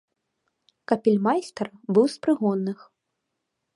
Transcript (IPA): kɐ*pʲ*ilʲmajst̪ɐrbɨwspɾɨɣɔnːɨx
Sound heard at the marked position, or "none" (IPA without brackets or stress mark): pʲ